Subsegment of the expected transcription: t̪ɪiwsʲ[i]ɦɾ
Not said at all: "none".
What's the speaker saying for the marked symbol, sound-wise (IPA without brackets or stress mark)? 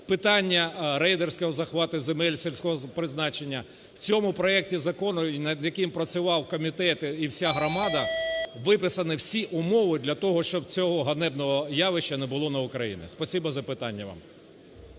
a